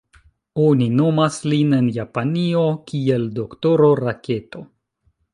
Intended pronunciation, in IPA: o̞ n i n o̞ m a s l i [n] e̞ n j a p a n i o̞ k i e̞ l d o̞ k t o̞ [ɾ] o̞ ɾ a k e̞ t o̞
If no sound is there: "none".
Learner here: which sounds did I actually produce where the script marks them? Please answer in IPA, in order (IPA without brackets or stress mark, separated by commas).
n, ɾ